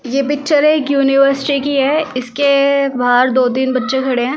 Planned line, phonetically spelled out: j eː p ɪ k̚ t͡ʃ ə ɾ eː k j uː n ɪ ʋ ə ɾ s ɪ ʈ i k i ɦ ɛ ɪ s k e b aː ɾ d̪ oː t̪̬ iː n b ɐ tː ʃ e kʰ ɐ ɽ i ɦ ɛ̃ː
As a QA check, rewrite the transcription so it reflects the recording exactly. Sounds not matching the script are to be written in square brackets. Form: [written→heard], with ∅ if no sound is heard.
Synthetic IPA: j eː p ɪ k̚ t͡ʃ ə ɾ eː k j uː n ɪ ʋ ə ɾ s ɪ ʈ i k i ɦ ɛ ɪ s k e b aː ɾ d̪ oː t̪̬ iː n b ɐ tː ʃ e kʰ ɐ ɽ [i→e] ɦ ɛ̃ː

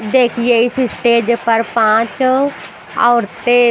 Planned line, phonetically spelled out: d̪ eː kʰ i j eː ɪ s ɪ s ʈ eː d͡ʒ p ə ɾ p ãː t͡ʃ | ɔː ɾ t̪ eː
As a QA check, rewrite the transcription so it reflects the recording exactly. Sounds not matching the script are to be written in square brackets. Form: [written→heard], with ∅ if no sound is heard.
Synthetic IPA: d̪ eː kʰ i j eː ɪ s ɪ s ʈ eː d͡ʒ p ə ɾ p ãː t͡ʃ | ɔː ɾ t̪ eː

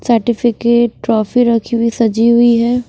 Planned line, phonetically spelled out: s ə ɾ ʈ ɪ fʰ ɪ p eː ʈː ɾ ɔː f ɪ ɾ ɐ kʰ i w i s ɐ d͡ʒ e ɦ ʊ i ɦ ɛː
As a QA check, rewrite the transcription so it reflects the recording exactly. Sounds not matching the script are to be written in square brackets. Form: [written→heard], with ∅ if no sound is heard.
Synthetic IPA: s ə ɾ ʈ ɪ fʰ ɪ [p→k] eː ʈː ɾ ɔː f [ɪ→i] ɾ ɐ kʰ i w i s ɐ d͡ʒ [e→i] ɦ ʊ i ɦ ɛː

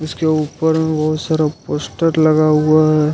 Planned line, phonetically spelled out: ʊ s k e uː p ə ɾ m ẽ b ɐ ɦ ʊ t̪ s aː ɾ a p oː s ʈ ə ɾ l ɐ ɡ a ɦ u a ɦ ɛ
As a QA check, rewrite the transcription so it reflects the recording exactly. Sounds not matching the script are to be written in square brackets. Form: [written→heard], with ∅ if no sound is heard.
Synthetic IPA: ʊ s k e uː p ə ɾ m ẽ b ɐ ɦ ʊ t̪ s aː ɾ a p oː s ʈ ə ɾ l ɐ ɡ a ɦ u a ɦ ɛ

